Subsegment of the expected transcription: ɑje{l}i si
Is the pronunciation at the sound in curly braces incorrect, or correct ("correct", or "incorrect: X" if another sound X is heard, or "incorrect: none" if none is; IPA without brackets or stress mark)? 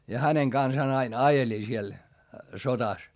correct